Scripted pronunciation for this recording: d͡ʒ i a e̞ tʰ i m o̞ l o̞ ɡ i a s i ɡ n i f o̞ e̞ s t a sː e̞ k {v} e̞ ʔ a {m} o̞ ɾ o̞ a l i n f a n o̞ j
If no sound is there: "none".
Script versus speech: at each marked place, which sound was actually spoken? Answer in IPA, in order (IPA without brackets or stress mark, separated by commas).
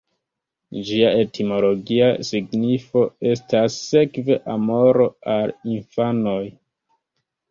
v, m